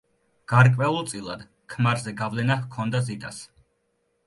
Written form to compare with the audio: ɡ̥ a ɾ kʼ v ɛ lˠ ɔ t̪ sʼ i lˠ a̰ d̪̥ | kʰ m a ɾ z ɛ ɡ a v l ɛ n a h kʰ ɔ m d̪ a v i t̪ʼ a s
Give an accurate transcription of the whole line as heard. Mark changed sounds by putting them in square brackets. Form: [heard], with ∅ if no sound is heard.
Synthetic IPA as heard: ɡ̥ a ɾ kʼ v ɛ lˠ ɔ t̪ sʼ i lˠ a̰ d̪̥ | kʰ m a ɾ z ɛ ɡ a v l ɛ n a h kʰ ɔ [n] d̪ a [z] i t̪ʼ a s